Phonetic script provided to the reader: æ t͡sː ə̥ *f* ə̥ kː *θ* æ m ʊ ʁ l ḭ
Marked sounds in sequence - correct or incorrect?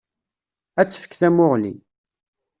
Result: correct, correct

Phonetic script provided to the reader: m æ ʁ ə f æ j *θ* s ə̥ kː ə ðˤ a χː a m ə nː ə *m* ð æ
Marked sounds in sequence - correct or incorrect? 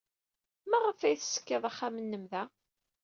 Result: correct, correct

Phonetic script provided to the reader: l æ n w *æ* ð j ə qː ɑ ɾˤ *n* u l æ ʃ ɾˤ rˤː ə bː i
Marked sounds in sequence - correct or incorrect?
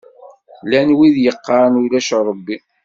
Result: incorrect: i, correct

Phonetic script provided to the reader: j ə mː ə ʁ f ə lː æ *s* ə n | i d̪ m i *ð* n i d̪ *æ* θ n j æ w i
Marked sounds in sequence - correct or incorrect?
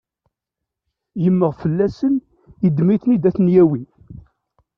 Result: correct, incorrect: θ, correct

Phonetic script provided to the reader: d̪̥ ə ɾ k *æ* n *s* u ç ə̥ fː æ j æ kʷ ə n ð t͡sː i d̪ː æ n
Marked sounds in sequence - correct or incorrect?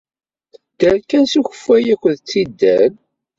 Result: correct, correct

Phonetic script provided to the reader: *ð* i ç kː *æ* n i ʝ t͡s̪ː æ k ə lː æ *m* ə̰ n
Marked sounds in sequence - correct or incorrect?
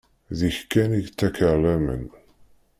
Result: correct, correct, correct

